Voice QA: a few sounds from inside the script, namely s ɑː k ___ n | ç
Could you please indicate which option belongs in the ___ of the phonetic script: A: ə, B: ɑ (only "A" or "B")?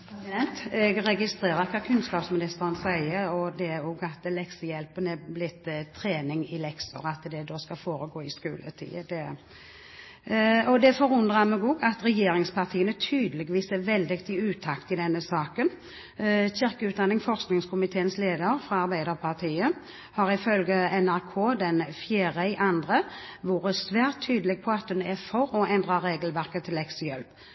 A